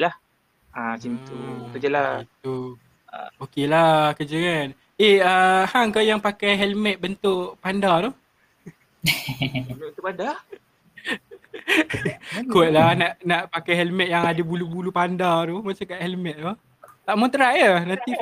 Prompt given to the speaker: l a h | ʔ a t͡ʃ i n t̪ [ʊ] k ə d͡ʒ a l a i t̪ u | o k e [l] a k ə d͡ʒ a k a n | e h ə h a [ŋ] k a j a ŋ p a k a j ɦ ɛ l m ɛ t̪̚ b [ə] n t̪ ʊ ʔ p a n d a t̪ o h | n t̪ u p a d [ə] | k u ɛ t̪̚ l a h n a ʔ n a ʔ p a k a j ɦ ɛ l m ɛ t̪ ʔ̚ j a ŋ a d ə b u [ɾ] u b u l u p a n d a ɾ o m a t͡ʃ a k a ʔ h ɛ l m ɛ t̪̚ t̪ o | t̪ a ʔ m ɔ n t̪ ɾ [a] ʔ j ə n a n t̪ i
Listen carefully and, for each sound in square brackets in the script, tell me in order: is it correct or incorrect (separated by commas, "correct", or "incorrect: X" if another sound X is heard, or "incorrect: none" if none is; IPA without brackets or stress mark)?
incorrect: u, correct, correct, correct, incorrect: a, incorrect: l, correct